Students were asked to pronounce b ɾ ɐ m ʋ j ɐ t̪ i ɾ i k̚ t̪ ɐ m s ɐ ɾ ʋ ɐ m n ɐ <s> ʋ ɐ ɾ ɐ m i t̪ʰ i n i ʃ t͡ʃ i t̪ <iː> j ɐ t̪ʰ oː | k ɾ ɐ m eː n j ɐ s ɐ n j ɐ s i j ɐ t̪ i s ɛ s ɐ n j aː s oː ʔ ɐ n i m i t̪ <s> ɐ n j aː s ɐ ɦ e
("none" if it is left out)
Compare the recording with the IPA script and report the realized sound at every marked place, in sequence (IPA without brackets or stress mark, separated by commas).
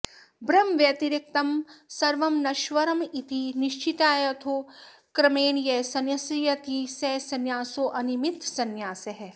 ʃ, aː, s